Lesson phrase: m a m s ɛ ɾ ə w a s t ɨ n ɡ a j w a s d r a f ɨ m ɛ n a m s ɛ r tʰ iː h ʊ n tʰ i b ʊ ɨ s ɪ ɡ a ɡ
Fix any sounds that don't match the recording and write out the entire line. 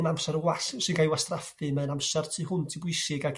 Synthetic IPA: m a m s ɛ ɾ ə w a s s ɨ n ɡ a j w a s t r a f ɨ m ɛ n a m s ɛ r tʰ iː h ʊ n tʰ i b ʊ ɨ s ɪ ɡ a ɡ